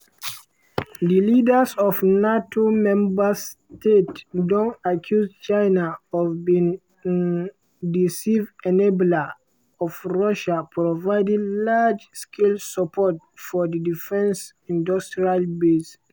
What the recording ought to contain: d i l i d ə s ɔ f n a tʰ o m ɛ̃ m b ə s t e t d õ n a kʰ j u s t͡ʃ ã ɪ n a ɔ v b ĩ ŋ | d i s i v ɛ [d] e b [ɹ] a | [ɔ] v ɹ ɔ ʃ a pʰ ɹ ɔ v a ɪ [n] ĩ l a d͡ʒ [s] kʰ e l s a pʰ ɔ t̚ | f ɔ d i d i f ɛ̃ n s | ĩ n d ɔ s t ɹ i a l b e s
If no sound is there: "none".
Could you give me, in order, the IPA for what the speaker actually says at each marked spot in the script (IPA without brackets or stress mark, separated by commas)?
n, l, ɔ, d, s